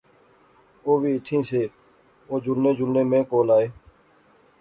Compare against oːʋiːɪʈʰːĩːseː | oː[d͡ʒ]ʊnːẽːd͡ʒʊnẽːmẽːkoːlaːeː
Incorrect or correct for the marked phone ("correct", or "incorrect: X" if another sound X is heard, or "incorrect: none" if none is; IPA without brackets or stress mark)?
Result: correct